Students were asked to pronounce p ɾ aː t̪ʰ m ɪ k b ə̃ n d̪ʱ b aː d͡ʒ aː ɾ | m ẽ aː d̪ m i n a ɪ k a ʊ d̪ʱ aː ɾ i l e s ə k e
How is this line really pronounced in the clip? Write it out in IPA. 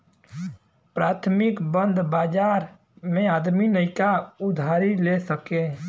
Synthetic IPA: p ɾ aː t̪ʰ m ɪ k b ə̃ n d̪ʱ b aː d͡ʒ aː ɾ | m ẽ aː d̪ m i n ə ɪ k a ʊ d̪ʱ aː ɾ i l e s ə k e